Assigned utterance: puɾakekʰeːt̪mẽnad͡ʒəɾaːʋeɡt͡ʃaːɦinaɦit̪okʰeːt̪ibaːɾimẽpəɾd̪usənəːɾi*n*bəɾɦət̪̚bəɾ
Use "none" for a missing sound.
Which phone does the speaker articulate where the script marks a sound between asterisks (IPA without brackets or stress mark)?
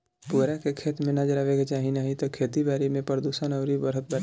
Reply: none